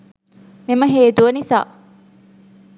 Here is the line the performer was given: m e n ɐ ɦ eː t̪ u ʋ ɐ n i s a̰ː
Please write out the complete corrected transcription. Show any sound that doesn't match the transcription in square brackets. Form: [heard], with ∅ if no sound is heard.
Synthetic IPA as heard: m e [m] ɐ ɦ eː t̪ u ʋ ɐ n i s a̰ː